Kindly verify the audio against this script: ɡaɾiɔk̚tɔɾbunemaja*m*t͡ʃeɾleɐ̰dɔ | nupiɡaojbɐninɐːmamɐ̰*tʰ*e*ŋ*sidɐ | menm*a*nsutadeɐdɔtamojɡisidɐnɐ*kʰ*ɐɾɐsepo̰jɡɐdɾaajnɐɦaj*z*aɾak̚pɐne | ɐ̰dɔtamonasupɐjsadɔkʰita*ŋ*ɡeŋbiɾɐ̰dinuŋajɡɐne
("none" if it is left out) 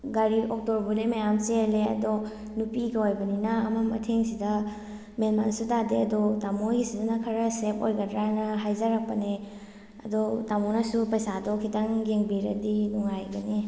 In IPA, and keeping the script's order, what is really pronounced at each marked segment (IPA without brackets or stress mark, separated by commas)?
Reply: m, tʰ, ŋ, a, kʰ, z, ŋ